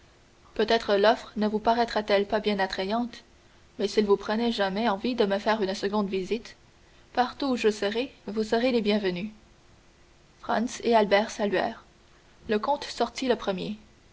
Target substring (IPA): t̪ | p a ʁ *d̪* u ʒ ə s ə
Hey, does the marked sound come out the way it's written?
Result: no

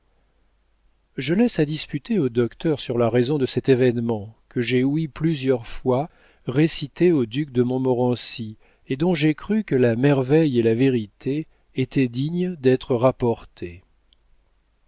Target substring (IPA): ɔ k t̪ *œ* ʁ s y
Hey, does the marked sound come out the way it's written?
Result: yes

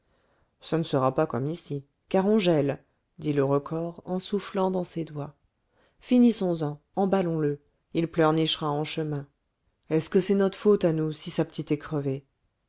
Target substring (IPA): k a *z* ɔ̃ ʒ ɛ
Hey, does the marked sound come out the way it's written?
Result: no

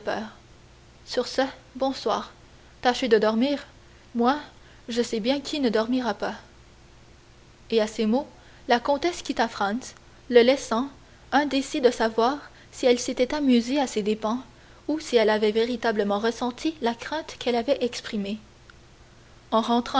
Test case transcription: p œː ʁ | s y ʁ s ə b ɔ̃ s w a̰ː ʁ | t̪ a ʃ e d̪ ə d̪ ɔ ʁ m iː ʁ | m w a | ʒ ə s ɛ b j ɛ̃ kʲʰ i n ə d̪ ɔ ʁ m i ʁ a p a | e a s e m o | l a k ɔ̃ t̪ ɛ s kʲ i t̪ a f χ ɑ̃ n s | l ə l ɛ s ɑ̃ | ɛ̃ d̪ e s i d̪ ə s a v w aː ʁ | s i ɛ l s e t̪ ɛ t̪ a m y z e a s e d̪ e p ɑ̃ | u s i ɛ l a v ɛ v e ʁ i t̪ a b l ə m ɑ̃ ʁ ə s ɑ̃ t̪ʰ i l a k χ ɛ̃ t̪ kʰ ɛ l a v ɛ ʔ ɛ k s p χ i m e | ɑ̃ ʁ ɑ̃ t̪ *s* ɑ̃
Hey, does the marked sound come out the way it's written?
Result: no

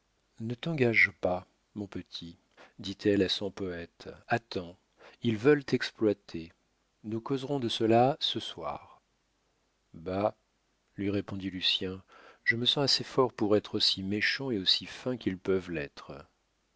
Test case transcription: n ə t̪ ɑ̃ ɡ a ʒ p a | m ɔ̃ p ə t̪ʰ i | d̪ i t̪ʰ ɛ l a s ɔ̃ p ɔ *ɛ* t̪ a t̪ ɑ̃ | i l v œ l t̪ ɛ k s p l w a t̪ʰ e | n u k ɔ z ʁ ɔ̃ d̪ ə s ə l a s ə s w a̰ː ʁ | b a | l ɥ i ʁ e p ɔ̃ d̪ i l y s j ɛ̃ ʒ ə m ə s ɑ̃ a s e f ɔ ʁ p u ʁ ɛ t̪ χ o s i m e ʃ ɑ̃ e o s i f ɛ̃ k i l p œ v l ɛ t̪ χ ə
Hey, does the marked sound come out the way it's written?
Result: yes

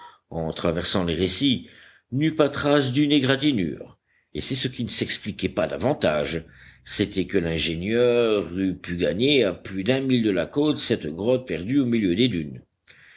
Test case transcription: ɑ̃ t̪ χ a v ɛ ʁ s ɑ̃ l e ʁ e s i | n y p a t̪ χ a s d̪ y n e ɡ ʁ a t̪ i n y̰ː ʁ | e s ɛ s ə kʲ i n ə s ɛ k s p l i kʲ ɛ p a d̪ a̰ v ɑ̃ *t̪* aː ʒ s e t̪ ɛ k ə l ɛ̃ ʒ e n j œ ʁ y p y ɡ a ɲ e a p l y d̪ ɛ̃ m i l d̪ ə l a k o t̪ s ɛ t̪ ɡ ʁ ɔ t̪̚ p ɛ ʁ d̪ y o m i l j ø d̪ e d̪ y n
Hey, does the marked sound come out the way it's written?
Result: yes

